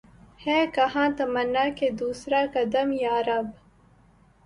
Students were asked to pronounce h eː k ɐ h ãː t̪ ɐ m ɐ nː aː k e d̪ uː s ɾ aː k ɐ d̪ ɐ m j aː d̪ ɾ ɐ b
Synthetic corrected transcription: h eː k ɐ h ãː t̪ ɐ m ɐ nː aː k e d̪ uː s ɾ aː k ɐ d̪ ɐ m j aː ɾ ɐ b